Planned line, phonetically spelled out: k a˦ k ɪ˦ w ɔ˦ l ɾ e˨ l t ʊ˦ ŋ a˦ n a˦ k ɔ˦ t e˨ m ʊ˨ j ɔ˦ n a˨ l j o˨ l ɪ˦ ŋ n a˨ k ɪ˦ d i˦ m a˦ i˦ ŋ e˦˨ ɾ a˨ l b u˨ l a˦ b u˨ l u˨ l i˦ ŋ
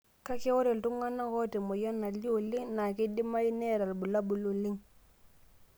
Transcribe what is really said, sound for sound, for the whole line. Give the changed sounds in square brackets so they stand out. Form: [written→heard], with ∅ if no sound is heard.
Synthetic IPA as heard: k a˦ k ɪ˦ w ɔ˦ [l→∅] ɾ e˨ l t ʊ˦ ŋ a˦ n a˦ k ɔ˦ t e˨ m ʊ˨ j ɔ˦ n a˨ l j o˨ l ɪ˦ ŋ n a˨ k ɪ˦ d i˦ m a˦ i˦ [ŋ→n] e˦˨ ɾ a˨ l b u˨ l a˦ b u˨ l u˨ l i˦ ŋ